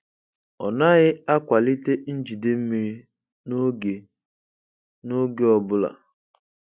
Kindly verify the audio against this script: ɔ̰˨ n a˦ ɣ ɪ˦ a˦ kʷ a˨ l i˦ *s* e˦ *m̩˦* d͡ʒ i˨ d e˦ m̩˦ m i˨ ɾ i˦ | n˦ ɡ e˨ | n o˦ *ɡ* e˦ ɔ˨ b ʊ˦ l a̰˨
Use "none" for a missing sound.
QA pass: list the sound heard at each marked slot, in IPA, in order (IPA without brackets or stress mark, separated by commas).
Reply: t, n̩˦, ɡ